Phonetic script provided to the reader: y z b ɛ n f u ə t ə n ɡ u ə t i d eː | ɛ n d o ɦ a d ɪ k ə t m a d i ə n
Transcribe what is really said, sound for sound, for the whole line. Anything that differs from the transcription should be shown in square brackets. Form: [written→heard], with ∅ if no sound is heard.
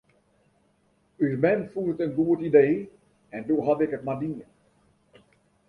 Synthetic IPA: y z [b→m] ɛ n f u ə t ə n ɡ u ə t i d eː | ɛ n d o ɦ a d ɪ k ə t m a d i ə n